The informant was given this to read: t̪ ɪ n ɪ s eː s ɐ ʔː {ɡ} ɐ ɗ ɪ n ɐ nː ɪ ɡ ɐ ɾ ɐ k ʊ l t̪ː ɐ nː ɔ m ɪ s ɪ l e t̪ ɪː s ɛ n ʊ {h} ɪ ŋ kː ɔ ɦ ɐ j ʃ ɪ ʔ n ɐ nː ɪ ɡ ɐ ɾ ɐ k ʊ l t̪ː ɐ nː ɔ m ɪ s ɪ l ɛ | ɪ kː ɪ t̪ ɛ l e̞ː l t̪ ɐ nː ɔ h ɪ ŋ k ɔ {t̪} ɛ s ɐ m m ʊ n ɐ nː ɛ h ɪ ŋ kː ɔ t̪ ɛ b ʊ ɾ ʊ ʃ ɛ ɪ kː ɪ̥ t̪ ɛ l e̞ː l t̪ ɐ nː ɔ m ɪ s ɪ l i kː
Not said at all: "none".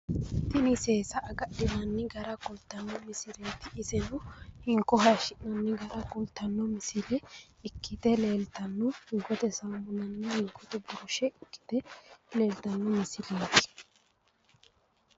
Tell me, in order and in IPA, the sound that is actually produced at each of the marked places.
ɡ, h, t̪

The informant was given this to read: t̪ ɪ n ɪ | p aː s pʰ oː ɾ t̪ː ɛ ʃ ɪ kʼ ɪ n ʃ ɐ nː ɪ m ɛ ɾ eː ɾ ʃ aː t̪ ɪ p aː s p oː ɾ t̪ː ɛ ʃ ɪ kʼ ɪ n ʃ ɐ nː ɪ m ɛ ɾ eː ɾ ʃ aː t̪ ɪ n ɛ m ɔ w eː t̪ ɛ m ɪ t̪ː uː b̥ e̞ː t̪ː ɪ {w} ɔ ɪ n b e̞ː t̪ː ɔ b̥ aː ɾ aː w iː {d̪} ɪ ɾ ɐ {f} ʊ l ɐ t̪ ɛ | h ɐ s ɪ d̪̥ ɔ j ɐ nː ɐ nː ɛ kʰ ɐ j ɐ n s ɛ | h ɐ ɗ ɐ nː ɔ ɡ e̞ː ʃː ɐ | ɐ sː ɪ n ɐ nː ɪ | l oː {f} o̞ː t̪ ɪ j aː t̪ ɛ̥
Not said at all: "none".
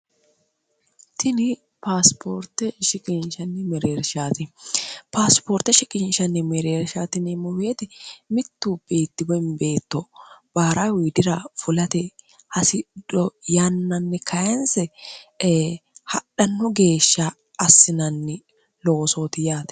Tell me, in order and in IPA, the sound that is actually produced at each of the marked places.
b, d̪, f, s

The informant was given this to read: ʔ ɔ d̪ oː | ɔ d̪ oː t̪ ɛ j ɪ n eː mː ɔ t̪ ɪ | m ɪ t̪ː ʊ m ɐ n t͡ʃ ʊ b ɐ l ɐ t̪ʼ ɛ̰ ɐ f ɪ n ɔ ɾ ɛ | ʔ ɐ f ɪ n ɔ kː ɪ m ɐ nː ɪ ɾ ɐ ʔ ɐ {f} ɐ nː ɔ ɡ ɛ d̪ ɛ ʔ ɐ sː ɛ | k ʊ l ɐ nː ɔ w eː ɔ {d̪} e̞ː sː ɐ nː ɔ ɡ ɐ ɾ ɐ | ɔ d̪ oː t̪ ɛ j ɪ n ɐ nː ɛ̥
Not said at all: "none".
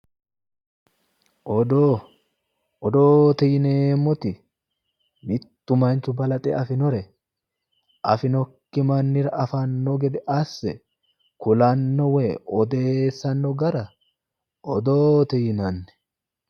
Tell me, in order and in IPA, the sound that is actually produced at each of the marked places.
f, d̪

